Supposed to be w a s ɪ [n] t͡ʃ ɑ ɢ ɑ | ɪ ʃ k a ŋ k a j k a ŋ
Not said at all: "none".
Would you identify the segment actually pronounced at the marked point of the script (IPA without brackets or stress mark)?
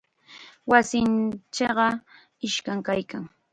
n